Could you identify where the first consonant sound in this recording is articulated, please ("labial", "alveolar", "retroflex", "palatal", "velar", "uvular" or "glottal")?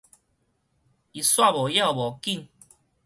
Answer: alveolar